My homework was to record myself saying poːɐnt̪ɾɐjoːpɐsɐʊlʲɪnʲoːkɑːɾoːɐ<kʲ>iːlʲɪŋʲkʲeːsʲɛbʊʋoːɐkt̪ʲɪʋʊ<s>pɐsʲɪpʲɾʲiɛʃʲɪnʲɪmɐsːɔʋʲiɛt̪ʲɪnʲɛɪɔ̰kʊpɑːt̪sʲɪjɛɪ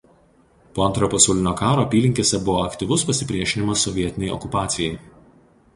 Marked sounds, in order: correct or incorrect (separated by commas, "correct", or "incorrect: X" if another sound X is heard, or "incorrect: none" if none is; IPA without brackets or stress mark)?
incorrect: pʲ, correct